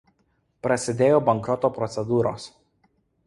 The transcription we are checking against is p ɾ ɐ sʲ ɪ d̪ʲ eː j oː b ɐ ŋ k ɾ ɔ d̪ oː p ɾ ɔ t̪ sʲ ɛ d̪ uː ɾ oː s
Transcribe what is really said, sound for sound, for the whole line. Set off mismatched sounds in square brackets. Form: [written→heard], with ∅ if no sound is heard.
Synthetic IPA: p ɾ ɐ sʲ ɪ d̪ʲ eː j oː b ɐ ŋ k ɾ ɔ [d̪→t̪] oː p ɾ ɔ t̪ sʲ ɛ d̪ uː ɾ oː s